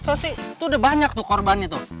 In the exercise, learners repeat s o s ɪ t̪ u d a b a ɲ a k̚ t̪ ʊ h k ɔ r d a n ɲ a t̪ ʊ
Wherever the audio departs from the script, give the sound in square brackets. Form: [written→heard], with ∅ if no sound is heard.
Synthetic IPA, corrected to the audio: s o s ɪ t̪ u d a b a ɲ a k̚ t̪ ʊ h k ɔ r [d→b] a n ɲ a t̪ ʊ